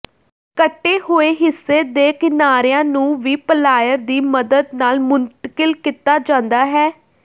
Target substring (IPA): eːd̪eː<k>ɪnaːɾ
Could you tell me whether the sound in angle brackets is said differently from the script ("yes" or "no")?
no